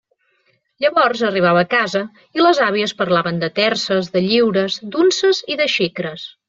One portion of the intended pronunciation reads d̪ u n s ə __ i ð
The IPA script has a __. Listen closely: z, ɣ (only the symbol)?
z